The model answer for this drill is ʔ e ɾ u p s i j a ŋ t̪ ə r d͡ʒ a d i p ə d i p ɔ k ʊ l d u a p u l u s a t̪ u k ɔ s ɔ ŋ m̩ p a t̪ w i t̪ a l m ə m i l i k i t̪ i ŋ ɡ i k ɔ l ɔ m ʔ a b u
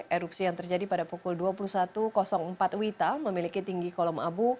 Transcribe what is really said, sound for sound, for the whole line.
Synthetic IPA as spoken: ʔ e ɾ u p s i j a ŋ t̪ ə r d͡ʒ a d i p a d a p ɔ k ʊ l d u a p u l u s a t̪ u k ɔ s ɔ ŋ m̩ p a t̪ w i t̪ a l m ə m i l i k i t̪ i ŋ ɡ i k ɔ l ɔ m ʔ a b u